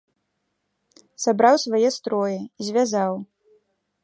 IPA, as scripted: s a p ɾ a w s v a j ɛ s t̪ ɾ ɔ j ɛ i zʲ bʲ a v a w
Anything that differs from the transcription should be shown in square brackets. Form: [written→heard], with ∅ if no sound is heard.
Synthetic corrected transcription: s a [p→b] ɾ a w s v a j ɛ s t̪ ɾ ɔ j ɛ i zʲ [bʲ→vʲ] a [v→z] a w